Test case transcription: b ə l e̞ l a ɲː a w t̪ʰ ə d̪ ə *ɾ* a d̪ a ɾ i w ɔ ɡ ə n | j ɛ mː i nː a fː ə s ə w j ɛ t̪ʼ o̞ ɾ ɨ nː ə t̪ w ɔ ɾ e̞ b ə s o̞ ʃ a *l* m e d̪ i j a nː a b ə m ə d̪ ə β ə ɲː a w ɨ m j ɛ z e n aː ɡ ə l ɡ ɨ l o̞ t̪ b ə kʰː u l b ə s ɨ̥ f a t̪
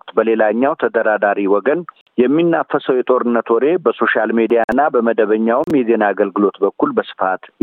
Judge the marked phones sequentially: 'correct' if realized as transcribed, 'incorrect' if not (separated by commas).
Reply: correct, correct